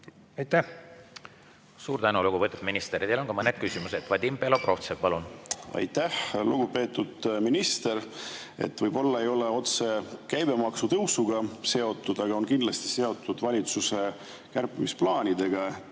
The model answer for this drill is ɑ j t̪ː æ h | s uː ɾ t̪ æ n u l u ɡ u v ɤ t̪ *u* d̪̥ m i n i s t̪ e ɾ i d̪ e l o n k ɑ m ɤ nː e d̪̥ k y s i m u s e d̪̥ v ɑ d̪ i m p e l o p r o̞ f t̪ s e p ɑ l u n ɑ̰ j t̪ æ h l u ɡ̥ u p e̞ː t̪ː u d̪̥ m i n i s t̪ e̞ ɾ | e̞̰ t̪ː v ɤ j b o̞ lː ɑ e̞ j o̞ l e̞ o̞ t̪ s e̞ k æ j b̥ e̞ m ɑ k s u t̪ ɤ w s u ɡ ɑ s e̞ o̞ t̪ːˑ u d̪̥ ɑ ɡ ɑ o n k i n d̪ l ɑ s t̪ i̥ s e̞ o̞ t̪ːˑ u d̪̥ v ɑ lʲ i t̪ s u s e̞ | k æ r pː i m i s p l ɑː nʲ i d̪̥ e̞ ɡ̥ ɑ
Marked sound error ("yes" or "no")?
no